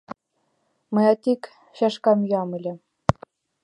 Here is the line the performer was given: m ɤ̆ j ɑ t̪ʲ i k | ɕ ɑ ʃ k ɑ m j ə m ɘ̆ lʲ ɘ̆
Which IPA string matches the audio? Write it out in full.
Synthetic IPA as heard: m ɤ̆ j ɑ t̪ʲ i k | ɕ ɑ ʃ k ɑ m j ɑ m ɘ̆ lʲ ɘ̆